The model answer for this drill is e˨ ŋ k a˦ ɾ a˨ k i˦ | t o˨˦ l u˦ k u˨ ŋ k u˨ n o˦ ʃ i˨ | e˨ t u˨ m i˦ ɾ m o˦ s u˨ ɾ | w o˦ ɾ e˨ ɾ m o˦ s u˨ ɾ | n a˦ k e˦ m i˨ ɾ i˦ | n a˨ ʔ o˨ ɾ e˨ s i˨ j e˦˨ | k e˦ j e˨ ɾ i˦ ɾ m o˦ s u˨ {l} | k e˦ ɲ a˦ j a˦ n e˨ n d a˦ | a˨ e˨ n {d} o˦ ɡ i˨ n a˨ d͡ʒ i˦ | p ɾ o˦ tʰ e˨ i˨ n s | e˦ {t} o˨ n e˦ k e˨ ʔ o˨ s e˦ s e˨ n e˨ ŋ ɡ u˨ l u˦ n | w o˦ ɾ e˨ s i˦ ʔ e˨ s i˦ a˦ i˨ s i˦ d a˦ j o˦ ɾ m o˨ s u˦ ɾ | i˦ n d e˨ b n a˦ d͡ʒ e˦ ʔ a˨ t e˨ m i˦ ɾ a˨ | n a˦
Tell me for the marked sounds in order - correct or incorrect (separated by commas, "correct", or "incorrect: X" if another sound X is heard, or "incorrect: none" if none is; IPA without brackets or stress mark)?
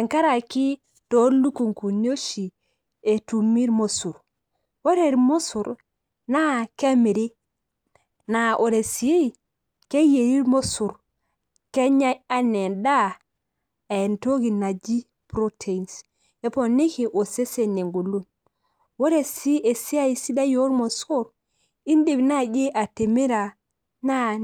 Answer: incorrect: ɾ, incorrect: t, incorrect: p